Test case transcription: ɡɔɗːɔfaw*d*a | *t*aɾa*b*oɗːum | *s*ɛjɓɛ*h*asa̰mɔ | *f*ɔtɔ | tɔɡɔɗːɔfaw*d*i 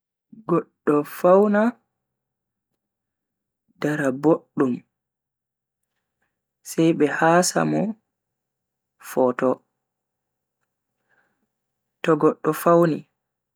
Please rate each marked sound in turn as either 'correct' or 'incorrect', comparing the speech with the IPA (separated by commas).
incorrect, incorrect, correct, correct, correct, correct, incorrect